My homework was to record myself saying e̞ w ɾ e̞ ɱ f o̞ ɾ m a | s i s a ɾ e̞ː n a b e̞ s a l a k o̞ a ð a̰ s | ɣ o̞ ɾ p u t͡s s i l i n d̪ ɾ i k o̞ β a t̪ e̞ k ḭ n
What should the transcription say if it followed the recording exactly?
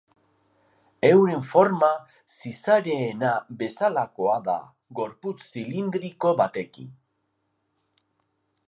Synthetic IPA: e̞ w ɾ e̞ ɱ f o̞ ɾ m a | s i s a ɾ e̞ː n a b e̞ s a l a k o̞ a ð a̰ | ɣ o̞ ɾ p u t͡s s i l i n d̪ ɾ i k o̞ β a t̪ e̞ k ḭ n